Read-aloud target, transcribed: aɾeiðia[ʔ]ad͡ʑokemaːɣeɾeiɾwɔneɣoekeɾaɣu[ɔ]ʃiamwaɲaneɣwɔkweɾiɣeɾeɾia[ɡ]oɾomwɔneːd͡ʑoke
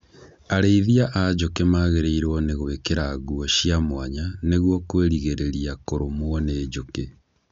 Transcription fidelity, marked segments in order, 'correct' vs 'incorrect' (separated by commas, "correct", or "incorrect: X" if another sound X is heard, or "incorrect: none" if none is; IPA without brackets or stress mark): correct, correct, incorrect: k